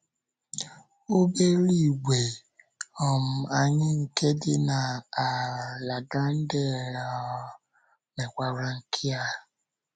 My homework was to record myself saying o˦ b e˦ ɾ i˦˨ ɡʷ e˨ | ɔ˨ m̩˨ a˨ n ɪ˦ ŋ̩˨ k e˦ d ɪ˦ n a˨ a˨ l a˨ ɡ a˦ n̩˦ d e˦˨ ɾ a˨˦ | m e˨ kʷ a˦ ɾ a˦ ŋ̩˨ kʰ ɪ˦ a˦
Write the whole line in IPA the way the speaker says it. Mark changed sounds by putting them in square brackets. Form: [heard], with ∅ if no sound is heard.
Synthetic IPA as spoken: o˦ b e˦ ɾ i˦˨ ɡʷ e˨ | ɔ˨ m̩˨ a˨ [ɲ] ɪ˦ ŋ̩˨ k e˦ d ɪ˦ n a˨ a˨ l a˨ ɡ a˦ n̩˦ d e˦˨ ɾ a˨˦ | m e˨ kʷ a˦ ɾ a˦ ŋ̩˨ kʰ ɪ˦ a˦